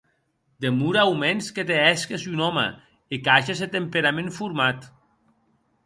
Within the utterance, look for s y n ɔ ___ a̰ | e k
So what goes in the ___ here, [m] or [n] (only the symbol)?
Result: m